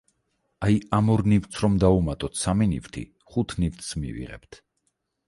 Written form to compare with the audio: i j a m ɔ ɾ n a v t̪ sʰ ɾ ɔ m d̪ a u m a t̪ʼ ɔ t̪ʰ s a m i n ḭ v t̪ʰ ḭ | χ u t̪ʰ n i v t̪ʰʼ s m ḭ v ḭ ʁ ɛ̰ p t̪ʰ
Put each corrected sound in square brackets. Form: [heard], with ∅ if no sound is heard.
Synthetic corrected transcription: [a] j a m ɔ ɾ n [i] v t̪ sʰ ɾ ɔ m d̪ a u m a t̪ʼ ɔ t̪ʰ s a m i n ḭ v t̪ʰ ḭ | χ u t̪ʰ n i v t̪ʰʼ s m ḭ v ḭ ʁ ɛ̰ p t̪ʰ